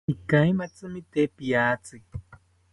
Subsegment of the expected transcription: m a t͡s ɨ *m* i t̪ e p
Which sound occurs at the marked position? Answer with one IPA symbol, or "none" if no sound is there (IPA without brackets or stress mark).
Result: m